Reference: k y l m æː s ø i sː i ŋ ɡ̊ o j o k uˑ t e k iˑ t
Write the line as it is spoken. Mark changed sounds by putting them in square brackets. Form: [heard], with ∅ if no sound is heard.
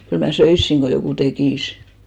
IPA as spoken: k y l m [æ] s ø i sː i ŋ ɡ̊ o j o k uˑ t e k iˑ [s]

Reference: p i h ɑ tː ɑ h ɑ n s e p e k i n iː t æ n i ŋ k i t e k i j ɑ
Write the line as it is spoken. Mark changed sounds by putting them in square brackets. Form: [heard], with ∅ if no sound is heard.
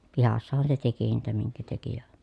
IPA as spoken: p i h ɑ [sː] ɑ h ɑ n s e [t] e k i n iː t æ [m] i ŋ k [æ] t e k i j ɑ

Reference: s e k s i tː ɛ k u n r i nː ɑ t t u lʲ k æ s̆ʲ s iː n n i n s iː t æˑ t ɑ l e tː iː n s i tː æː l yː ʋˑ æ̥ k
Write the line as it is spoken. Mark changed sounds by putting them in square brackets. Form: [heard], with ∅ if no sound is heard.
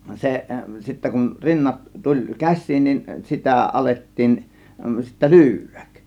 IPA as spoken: s e [ʔ] s i tː [æ] k u n r i nː ɑ t t u lʲ k æ s̆ʲ s iː n n i n s [i] t æˑ [ʔ] ɑ l e tː iː n s i tː [æ] l yː ʋˑ æ̥ k

